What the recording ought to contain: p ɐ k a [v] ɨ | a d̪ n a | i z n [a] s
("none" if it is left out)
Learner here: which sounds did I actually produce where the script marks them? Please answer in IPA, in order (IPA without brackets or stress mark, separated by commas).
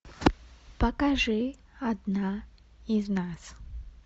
ʐ, a